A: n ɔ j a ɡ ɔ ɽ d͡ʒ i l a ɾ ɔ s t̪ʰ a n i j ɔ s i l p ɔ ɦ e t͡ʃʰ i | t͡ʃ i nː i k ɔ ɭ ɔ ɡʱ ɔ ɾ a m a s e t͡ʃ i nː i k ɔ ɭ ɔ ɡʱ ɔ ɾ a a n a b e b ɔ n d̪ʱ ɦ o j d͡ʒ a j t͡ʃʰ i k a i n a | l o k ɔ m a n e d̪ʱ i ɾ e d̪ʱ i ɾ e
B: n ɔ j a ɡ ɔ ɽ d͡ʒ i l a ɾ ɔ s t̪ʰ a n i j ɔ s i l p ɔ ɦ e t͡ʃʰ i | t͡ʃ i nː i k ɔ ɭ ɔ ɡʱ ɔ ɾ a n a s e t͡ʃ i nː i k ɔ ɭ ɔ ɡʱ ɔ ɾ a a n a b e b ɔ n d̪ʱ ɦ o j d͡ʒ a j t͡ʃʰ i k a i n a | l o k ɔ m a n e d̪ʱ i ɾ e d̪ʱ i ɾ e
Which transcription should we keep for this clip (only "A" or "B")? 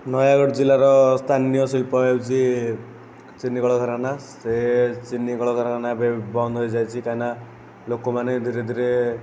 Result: B